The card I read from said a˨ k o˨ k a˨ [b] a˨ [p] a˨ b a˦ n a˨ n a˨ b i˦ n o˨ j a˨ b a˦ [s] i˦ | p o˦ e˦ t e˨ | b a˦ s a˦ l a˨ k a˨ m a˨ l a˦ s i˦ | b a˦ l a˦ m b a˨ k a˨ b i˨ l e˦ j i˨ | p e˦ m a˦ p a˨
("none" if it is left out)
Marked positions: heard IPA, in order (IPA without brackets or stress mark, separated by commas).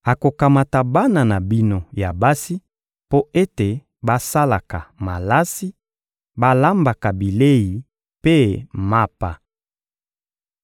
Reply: m, t, s